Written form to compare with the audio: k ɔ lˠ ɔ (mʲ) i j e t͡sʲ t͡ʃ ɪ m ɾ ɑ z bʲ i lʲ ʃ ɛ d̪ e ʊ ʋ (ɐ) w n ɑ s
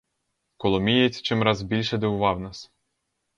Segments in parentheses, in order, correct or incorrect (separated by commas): correct, incorrect